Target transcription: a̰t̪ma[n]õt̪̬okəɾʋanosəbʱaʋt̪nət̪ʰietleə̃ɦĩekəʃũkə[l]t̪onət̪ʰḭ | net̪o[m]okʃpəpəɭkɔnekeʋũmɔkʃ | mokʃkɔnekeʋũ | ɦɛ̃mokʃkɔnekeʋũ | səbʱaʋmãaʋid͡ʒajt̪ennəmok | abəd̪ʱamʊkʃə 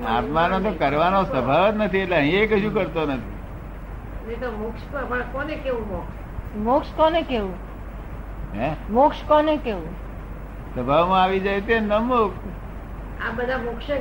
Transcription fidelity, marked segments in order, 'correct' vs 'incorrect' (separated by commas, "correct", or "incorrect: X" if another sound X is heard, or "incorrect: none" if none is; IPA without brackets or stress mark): correct, incorrect: ɾ, correct